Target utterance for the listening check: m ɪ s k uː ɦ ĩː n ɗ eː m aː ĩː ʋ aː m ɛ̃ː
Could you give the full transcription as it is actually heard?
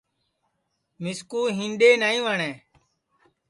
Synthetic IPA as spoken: m ɪ s k uː ɦ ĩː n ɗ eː n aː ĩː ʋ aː ɳ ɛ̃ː